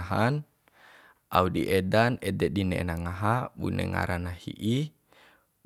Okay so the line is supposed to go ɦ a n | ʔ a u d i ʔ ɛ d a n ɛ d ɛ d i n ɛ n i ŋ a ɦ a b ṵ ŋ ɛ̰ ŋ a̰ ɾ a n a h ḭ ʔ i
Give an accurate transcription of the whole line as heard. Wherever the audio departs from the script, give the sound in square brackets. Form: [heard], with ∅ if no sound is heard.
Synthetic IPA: ɦ a n | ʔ a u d i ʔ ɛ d a n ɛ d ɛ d i n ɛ n [a] ŋ a ɦ a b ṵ [n] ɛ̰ ŋ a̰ ɾ a n a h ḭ ʔ i